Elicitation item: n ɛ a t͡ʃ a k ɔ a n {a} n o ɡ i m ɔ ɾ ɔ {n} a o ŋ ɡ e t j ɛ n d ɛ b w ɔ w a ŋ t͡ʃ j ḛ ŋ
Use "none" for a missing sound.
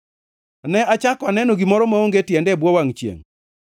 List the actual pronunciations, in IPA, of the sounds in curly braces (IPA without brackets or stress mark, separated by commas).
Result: ɛ, m